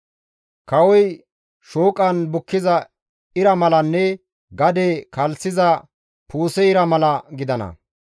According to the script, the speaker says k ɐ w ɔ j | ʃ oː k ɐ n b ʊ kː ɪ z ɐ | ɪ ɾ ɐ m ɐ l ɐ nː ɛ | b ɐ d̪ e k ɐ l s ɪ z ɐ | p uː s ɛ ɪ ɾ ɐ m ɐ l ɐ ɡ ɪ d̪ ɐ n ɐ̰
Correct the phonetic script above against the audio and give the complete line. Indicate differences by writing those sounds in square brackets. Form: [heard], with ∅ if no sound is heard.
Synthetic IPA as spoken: k ɐ w ɔ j | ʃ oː [kʼ] ɐ n b ʊ kː ɪ z ɐ | ɪ ɾ ɐ m ɐ l ɐ nː ɛ | [ɡ] ɐ d̪ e k ɐ l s ɪ z ɐ | p uː s ɛ ɪ ɾ ɐ m ɐ l ɐ ɡ ɪ d̪ ɐ n ɐ̰